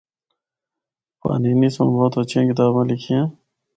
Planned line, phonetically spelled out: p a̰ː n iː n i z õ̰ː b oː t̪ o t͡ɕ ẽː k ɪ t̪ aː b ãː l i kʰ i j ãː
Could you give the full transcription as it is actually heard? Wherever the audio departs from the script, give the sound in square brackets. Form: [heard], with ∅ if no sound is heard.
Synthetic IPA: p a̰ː n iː n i [s] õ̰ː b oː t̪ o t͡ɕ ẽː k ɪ t̪ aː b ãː l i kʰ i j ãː